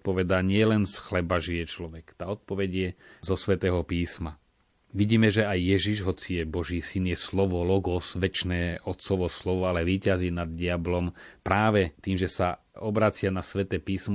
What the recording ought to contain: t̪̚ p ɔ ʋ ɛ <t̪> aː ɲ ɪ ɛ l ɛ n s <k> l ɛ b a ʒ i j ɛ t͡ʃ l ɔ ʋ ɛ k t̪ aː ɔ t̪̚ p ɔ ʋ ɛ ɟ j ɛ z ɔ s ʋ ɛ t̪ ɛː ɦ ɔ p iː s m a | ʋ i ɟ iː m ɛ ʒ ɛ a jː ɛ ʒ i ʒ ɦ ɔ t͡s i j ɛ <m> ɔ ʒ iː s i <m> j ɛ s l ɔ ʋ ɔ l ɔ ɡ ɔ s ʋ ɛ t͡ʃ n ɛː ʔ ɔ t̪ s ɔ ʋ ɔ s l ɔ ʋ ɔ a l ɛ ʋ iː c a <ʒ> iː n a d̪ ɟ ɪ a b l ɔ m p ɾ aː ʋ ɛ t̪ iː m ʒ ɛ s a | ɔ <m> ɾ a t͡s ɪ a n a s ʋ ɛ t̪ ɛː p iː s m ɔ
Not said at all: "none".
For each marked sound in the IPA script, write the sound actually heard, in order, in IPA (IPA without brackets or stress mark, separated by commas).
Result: d̪, x, b, n, z, b